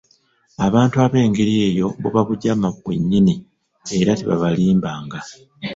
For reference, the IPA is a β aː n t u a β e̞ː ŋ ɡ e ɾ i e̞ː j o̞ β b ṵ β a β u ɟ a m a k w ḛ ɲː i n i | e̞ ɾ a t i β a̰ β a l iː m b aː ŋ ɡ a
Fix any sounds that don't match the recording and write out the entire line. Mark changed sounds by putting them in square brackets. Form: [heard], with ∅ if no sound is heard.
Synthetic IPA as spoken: a β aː n t u a β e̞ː ŋ ɡ e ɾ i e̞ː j o̞ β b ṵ β a β u ɟ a m a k w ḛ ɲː i n i | e̞ ɾ a t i β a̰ β a l iː m b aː ŋ ɡ a